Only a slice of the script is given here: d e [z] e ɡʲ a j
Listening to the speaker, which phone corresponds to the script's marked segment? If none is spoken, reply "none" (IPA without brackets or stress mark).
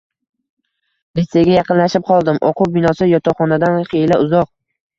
s